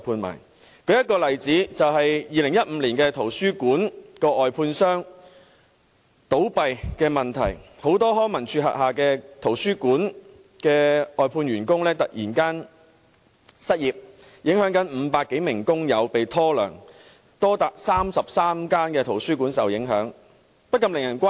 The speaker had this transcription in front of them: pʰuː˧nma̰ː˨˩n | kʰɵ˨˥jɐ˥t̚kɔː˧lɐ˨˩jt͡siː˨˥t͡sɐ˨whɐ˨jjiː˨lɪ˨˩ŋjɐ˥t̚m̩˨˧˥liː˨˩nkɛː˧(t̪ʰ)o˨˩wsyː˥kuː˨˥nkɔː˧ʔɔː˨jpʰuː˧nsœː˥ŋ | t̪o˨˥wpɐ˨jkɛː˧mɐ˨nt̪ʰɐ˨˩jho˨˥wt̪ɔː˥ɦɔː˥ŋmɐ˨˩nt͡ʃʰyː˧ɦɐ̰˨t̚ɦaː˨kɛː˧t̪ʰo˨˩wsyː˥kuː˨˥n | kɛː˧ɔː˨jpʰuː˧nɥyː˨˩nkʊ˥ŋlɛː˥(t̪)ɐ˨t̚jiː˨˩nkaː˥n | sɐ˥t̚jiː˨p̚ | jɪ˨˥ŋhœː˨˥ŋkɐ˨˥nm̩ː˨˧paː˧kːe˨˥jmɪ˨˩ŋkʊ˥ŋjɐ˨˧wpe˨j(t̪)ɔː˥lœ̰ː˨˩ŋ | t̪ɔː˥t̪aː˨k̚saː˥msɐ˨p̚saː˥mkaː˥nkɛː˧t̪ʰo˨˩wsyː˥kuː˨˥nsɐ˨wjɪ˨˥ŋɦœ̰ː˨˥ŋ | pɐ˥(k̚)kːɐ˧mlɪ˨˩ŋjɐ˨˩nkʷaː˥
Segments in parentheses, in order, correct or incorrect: correct, correct, incorrect: t̪ʰ, incorrect: t̚

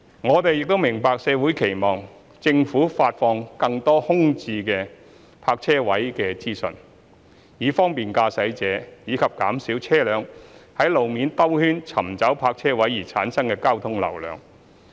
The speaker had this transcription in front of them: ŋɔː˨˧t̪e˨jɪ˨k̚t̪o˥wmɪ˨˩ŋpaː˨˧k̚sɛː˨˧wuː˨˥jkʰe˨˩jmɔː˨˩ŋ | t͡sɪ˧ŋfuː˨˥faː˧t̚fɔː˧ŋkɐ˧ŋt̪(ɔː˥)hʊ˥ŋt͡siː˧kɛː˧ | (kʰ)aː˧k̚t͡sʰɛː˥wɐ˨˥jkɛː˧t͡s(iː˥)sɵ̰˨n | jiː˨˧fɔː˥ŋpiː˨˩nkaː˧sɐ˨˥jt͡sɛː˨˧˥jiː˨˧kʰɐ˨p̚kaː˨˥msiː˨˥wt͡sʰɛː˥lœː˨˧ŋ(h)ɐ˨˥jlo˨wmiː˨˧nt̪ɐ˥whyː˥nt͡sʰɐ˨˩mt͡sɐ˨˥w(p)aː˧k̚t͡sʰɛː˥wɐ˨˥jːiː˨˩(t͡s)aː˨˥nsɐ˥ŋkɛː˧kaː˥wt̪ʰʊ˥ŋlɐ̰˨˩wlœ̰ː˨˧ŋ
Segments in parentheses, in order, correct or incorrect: correct, incorrect: pʰ, correct, correct, incorrect: pʰ, incorrect: t͡sʰ

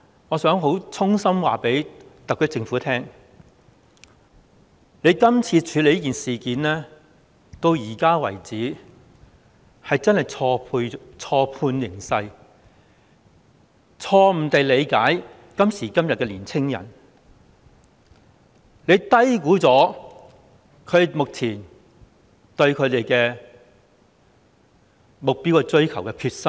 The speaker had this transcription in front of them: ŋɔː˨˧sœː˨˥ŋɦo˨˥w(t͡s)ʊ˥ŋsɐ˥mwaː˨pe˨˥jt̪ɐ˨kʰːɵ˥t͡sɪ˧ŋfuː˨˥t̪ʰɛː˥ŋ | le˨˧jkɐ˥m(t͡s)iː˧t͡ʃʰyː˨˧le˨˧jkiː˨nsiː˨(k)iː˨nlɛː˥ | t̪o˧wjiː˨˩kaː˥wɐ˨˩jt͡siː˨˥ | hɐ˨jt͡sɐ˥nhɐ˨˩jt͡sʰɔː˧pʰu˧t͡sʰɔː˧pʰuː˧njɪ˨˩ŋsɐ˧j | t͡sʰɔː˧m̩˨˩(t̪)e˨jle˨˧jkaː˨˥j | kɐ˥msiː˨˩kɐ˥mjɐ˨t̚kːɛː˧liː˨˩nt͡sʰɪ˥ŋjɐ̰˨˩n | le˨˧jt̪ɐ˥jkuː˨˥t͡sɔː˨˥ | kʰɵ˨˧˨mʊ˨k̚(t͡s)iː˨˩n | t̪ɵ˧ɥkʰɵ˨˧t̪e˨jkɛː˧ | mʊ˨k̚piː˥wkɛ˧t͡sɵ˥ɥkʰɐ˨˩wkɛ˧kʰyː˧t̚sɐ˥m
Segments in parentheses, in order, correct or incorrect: incorrect: t͡sʰ, incorrect: t͡sʰ, correct, correct, incorrect: t͡sʰ

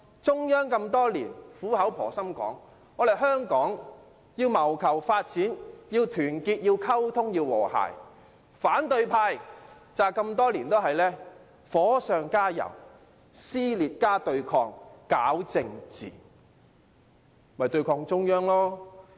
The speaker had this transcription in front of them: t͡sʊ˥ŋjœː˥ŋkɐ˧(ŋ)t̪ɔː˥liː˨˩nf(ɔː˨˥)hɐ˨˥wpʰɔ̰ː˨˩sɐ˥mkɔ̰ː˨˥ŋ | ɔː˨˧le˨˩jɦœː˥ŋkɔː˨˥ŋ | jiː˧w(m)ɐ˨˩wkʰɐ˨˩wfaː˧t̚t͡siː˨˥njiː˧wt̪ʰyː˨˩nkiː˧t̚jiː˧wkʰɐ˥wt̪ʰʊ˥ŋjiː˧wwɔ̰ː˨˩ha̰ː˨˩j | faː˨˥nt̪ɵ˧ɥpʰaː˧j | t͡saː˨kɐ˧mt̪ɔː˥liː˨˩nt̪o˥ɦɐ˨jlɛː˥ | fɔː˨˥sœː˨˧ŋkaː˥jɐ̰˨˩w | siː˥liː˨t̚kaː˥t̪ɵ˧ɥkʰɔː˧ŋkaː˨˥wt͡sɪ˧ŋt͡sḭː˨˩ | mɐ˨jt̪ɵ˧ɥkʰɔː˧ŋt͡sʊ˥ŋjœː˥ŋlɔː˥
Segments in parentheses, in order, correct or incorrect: incorrect: m, incorrect: uː˨˥, correct

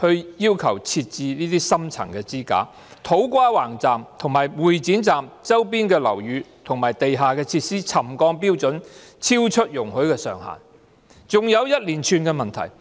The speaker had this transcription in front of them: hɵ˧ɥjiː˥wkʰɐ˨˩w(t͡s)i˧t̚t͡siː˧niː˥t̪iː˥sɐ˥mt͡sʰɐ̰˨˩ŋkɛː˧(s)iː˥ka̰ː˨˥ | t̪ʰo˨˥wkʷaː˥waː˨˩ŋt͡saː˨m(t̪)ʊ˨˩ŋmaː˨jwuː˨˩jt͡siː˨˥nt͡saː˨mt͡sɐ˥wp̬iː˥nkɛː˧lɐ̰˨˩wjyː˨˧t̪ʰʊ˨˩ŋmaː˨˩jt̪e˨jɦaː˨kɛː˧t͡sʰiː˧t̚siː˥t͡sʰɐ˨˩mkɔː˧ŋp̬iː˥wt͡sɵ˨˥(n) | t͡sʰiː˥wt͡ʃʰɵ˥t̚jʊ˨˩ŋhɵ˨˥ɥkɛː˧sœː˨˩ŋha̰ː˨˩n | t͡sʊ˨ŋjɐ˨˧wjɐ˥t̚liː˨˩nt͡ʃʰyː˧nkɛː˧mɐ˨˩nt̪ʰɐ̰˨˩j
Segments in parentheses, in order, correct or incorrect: incorrect: t͡sʰ, incorrect: t͡s, incorrect: t̪ʰ, correct

